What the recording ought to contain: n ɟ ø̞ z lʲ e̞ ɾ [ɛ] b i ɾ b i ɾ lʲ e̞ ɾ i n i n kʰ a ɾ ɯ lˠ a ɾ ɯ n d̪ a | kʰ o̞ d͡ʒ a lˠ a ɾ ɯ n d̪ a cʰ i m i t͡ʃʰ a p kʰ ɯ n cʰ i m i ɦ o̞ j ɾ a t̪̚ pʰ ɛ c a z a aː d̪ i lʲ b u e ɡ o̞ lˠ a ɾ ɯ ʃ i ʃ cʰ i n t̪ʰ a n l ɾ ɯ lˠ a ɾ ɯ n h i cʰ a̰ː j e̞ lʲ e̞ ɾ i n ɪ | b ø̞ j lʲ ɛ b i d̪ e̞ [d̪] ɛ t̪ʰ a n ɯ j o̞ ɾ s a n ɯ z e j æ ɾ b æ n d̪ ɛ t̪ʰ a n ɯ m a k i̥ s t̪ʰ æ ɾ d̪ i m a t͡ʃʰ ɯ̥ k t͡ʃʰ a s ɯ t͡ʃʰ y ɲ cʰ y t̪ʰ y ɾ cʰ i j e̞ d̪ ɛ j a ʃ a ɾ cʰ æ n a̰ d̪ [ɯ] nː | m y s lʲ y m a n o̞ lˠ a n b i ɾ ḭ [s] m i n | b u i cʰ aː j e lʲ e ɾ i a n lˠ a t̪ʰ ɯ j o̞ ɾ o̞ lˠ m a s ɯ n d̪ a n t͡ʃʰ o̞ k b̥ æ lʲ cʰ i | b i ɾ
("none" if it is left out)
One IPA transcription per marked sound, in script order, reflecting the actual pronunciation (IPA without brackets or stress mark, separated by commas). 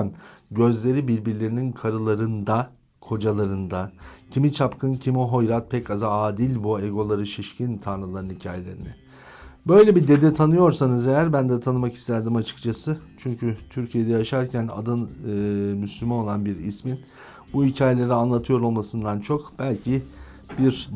i, d̪, ɯ, s